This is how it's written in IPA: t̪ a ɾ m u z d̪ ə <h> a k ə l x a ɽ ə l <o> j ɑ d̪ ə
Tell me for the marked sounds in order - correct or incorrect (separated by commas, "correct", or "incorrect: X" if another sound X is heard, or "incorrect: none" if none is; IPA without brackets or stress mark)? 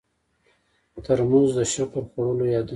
incorrect: ʃ, correct